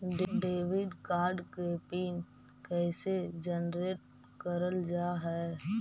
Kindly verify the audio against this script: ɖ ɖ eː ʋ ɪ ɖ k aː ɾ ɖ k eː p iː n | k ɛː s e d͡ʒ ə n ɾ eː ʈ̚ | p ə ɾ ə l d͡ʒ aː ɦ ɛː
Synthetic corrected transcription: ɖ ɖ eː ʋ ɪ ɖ k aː ɾ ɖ k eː p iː n | k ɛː s e d͡ʒ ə n ɾ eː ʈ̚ | k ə ɾ ə l d͡ʒ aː ɦ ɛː

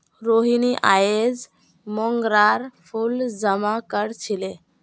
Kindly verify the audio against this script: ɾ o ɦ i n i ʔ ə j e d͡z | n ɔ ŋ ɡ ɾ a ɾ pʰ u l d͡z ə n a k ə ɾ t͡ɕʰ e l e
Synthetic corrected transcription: ɾ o ɦ i n i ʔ a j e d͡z | m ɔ ŋ ɡ ɾ a ɾ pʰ u l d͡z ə m a k ə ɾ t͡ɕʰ i l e

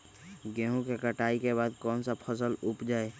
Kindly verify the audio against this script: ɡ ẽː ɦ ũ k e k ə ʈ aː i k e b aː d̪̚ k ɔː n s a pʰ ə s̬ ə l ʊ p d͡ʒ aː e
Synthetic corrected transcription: ɡ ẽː ɦ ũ k e k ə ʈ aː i k e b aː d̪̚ k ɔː n s a pʰ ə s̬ ə l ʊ p d͡ʒ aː e

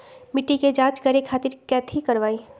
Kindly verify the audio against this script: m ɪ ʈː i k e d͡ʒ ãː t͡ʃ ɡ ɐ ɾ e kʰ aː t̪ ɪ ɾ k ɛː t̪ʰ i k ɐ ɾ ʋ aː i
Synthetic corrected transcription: m ɪ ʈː i k e d͡ʒ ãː t͡ʃ ɡ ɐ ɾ e kʰ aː t̪ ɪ ɾ k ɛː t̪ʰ i k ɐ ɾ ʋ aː i

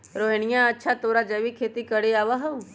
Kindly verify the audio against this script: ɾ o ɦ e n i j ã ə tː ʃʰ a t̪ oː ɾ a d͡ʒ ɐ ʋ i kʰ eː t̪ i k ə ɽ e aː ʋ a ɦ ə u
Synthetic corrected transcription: ɾ o ɦ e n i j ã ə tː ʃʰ a t̪ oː ɾ a d͡ʒ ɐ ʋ i kʰ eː t̪ i k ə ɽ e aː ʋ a ɦ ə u

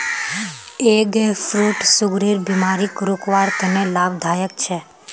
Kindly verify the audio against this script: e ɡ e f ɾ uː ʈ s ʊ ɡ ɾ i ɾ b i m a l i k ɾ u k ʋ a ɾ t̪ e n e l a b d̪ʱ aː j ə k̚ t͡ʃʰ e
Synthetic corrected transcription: e ɡ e f ɾ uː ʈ s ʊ ɡ ɾ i ɾ b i m a ɾ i k ɾ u k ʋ a ɾ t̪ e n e l a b d̪ʱ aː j ə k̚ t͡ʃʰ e

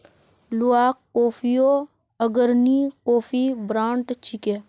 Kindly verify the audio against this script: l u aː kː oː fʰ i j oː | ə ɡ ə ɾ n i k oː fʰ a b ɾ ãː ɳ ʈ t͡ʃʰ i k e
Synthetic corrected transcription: l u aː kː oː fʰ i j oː | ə ɡ ə ɾ n i k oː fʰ i b ɾ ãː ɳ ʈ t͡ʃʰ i k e

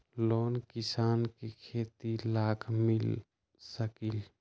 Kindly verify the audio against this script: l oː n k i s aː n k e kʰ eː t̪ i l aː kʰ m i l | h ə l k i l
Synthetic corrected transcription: l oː n k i s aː n k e kʰ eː t̪ i l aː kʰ m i l | s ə k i l

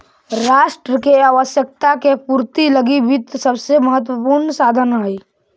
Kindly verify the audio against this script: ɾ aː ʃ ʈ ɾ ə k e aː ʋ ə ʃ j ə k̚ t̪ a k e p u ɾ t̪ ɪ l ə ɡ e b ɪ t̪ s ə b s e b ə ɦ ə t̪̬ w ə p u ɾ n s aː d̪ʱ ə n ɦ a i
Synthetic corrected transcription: ɾ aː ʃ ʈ ɾ ə k e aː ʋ ə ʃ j ə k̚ t̪ a k e p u ɾ t̪ i l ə ɡ i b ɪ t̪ s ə b s e m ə ɦ ə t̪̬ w ə p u ɾ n s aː d̪ʱ ə n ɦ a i

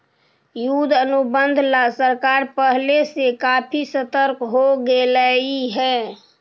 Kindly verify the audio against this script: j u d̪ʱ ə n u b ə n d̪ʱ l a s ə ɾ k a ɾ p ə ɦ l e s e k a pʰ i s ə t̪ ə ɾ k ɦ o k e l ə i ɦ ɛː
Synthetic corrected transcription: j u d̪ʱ ə n u b ə n d̪ʱ l a s ə ɾ k a ɾ p ə ɦ l e s e k a pʰ i s ə t̪ ə ɾ k ɦ o ɡ e l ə i ɦ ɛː

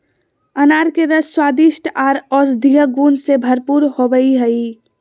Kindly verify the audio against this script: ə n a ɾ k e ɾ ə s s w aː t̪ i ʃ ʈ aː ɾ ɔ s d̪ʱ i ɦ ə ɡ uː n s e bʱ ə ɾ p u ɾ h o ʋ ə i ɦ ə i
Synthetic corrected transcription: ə n a ɾ k e ɾ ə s s w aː d̪ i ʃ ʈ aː ɾ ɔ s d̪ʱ i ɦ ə ɡ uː n s e bʱ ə ɾ p u ɾ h o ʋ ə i ɦ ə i

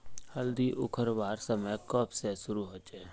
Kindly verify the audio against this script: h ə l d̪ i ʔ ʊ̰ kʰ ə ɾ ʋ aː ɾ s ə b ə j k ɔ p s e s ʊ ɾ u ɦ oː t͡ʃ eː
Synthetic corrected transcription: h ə l d̪ i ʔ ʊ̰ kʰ ə ɾ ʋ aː ɾ s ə m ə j k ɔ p s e s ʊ ɾ u ɦ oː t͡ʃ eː

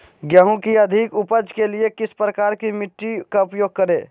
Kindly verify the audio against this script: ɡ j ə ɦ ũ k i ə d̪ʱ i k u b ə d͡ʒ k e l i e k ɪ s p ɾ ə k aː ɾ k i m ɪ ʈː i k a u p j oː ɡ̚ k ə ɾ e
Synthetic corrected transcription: ɡ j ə ɦ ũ k i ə d̪ʱ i k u p ə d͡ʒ k e l i e k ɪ s p ɾ ə k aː ɾ k i m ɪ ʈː i k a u p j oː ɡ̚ k ə ɾ e

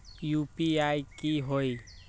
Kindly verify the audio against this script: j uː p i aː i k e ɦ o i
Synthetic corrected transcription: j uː p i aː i k i ɦ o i

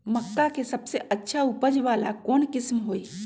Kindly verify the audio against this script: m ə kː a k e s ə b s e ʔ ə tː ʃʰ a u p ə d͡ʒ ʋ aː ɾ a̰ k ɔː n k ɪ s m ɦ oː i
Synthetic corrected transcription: m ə kː a k e s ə b s e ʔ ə tː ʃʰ a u p ə d͡ʒ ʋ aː l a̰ k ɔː n k ɪ s m ɦ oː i

